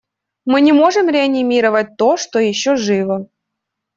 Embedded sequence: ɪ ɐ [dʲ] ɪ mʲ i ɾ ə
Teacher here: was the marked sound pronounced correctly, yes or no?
no